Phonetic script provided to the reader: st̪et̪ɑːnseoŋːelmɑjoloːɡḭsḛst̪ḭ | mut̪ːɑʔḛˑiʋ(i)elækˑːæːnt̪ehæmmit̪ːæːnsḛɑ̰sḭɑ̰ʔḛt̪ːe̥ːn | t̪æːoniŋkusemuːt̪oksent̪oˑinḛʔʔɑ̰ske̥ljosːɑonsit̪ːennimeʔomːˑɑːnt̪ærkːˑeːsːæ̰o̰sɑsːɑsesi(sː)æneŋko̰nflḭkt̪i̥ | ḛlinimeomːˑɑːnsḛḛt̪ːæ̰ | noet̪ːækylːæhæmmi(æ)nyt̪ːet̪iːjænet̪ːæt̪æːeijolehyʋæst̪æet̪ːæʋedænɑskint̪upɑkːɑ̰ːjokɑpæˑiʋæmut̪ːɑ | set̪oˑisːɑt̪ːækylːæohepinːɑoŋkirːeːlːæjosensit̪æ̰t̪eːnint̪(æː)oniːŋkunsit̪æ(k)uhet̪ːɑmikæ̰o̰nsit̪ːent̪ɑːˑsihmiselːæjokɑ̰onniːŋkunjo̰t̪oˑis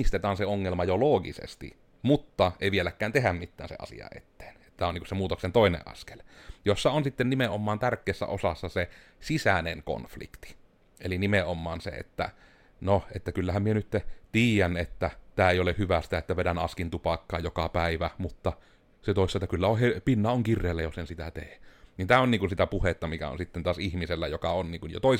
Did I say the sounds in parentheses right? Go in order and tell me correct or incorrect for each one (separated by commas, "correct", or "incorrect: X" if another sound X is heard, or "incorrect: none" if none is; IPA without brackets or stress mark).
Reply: correct, incorrect: s, incorrect: e, correct, incorrect: p